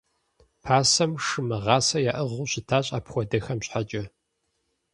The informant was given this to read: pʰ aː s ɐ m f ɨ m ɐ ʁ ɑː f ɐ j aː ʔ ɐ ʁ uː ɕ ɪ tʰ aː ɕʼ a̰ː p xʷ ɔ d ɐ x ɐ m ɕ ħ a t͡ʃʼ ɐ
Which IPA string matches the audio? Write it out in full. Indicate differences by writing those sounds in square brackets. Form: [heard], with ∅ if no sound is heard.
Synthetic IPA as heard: pʰ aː s ɐ m [ʂ] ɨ m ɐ ʁ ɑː [s] ɐ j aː ʔ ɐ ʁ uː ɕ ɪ tʰ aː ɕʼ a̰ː p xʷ ɔ d ɐ x ɐ m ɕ ħ a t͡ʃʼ ɐ